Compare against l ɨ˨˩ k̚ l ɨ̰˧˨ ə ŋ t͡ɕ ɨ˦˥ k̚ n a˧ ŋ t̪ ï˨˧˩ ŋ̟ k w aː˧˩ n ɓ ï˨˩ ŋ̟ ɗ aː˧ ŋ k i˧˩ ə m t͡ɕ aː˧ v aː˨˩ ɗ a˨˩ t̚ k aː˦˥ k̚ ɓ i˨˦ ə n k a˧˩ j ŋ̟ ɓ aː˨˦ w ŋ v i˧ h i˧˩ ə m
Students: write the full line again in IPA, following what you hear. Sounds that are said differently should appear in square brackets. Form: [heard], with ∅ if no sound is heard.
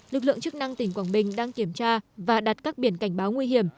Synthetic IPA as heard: l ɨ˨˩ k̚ l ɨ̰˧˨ ə ŋ t͡ɕ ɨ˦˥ k̚ n a˧ ŋ t̪ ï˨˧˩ ŋ̟ k w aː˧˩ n ɓ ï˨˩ ŋ̟ ɗ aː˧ ŋ k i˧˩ ə m t͡ɕ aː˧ v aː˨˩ ɗ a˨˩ t̚ k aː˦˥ k̚ ɓ [i˧˩] ə n k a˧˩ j ŋ̟ ɓ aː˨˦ w ŋ [w] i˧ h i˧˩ ə m